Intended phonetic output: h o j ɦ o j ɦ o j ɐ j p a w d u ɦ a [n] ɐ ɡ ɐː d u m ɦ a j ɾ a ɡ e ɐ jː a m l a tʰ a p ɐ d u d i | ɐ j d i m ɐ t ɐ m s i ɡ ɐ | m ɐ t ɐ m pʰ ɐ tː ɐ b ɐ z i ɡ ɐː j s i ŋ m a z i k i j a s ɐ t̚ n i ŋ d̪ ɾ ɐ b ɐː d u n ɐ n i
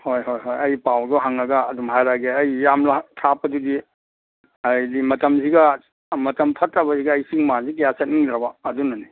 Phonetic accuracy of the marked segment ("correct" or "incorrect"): incorrect